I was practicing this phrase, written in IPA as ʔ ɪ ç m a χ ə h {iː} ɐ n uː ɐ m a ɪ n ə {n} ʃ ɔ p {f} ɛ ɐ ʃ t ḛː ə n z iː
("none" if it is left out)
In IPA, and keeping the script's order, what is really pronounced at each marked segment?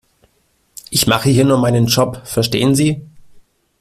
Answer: iː, n, f

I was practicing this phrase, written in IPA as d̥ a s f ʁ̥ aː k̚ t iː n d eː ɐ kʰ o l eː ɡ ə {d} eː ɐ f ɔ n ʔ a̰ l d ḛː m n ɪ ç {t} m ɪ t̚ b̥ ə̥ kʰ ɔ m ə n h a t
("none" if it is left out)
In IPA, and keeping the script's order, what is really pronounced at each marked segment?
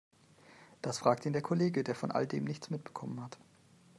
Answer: d, t͡s

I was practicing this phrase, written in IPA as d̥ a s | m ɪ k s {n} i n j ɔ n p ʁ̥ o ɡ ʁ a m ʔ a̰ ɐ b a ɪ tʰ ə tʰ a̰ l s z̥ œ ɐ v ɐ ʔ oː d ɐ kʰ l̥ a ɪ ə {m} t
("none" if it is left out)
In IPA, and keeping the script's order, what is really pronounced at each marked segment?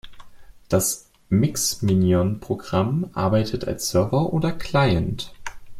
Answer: m, n

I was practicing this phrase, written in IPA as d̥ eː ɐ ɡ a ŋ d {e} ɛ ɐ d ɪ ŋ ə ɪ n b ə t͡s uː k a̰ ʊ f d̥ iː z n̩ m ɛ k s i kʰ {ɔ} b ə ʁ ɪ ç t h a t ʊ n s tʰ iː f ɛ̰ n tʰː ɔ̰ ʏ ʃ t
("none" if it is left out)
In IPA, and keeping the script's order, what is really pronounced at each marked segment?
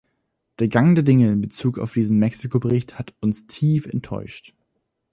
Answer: e, o

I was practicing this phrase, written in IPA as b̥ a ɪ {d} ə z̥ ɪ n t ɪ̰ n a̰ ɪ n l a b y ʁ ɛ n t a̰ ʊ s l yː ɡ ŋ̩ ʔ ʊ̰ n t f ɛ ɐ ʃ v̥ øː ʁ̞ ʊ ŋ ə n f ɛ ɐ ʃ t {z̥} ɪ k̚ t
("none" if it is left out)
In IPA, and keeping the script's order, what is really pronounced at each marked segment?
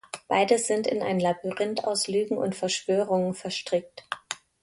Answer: d, ʁ̥

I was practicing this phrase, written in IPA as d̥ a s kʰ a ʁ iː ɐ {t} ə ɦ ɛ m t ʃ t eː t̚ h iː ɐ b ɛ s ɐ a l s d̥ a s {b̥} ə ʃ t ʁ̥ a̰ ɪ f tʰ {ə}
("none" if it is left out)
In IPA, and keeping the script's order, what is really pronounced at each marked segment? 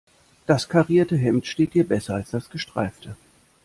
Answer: t, ɡ̥, ə

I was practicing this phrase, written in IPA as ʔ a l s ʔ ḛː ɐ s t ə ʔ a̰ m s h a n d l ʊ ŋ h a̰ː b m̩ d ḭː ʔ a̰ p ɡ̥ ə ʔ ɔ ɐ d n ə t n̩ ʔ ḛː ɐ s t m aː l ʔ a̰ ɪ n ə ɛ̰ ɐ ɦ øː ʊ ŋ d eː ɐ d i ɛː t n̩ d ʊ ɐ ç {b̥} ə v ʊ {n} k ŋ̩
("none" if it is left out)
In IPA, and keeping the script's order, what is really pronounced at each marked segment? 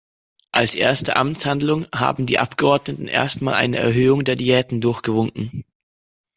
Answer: ɡ̥, ŋ

